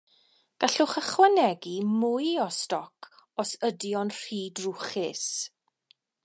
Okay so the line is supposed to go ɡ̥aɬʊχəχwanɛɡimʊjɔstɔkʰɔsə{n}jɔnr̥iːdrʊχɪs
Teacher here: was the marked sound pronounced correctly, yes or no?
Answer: no